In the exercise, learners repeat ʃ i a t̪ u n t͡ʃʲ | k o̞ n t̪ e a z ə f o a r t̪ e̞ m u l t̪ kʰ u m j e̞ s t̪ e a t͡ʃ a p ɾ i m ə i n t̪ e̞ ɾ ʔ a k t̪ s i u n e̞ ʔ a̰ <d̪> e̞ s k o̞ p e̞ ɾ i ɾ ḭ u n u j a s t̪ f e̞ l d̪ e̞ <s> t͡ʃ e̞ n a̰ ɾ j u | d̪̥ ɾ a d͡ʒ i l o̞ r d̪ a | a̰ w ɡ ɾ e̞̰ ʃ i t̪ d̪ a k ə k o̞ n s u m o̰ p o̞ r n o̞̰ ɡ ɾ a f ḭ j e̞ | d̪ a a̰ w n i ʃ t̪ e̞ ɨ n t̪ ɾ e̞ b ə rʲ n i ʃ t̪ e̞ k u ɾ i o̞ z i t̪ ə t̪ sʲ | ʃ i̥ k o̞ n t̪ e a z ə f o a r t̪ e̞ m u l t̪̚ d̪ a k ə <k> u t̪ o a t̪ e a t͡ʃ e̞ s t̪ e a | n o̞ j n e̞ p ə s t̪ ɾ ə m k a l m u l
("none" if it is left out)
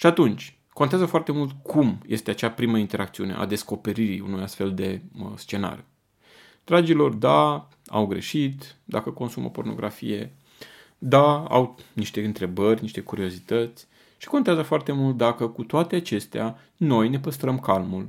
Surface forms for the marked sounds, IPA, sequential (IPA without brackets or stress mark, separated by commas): d̪, s, k